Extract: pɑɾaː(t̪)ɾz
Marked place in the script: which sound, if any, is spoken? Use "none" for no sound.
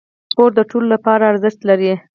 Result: none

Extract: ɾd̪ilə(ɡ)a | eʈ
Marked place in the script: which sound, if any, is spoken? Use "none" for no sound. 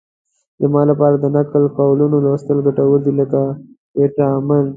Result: k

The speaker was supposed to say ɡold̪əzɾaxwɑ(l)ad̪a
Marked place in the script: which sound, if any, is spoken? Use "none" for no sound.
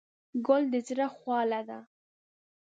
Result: l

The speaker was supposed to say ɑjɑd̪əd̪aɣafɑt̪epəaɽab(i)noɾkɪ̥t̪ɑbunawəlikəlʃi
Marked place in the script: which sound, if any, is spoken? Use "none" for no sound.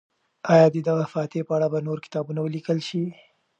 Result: a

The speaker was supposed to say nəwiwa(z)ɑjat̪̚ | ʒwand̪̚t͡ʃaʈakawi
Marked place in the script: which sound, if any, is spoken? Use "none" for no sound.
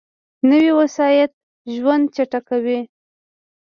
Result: s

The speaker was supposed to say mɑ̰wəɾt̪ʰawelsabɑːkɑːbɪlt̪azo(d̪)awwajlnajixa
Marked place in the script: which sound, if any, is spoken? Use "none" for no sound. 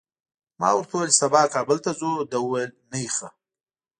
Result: d̪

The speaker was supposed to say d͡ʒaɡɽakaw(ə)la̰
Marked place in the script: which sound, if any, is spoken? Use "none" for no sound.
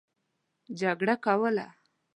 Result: ə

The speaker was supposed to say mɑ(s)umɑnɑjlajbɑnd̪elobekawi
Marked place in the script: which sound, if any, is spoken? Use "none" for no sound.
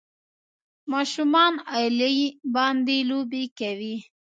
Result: ʃ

